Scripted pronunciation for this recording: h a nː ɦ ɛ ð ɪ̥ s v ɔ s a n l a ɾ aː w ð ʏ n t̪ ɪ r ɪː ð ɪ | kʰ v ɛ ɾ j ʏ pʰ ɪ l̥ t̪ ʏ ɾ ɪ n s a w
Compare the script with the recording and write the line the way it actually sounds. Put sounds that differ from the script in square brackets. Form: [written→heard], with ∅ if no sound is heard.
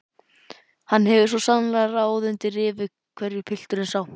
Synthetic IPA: h a nː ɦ ɛ [ð→v] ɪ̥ s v ɔ s a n l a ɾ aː w ð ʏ n t̪ ɪ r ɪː [ð→v] ɪ | kʰ v ɛ ɾ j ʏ pʰ ɪ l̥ t̪ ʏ ɾ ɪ n s a w